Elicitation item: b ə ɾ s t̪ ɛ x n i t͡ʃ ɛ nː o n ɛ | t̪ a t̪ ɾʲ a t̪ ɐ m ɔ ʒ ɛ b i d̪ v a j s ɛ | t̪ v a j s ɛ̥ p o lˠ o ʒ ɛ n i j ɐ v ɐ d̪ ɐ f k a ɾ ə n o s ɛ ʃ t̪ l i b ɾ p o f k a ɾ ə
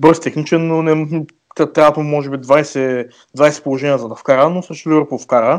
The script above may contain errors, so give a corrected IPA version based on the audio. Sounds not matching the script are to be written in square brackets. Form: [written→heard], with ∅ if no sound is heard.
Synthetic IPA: b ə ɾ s t̪ ɛ x n i t͡ʃ ɛ nː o n ɛ | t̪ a t̪ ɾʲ a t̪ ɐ m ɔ ʒ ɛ b i d̪ v a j s ɛ | [t̪→d̪] v a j s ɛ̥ p o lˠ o ʒ ɛ n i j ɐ [v→z] ɐ d̪ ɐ f k a ɾ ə n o s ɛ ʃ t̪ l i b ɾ p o f k a ɾ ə